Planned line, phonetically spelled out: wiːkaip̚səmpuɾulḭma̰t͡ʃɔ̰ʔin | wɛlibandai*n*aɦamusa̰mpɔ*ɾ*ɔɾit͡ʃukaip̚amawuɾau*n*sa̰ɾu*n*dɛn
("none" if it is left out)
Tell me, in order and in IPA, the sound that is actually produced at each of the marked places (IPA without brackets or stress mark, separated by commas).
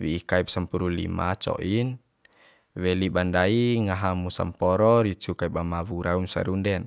ŋ, ɾ, n, n